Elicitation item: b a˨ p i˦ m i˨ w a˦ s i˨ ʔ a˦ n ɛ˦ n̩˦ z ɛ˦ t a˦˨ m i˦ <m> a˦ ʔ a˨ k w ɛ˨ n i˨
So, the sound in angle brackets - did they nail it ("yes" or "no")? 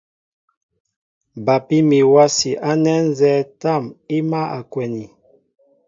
yes